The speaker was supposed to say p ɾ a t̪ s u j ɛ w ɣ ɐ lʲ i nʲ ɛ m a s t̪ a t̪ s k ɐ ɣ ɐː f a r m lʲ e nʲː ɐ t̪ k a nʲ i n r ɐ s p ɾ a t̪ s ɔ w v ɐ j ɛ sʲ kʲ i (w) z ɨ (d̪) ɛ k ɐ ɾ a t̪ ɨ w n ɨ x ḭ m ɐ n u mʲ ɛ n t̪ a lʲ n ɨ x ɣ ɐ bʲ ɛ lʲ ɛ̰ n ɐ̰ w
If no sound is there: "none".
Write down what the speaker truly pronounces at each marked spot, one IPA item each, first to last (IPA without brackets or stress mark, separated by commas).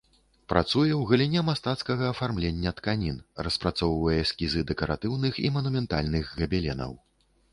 none, d̪